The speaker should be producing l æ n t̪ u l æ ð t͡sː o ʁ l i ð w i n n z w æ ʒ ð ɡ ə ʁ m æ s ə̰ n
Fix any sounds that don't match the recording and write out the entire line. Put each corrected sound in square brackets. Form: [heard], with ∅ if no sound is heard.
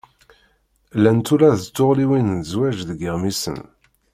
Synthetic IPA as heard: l æ n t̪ u l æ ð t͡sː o ʁ l i [∅] w i n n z w æ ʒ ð ɡ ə ʁ m [i] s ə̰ n